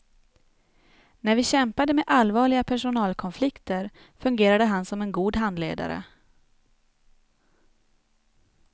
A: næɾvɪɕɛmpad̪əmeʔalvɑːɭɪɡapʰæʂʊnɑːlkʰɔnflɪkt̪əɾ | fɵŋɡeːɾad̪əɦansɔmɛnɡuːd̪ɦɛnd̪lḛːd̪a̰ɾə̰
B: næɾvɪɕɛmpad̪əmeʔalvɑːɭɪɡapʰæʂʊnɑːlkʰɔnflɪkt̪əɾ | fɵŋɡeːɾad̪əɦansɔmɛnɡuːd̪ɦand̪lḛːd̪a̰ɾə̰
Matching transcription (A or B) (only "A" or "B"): B